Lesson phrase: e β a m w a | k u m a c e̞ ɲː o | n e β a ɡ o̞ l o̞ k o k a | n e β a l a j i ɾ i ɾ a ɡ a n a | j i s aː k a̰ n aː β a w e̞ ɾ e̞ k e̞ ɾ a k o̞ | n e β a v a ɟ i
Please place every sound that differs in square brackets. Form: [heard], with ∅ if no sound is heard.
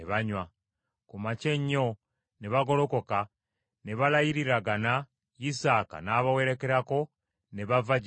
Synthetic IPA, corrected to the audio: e β a [ɲ] w a | k u m a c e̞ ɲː o | n e β a ɡ o̞ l o̞ k o k a | n e β a l a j i ɾ i ɾ a ɡ a n a | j i s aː k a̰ n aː β a w e̞ ɾ e̞ k e̞ ɾ a k o̞ | n e β a v a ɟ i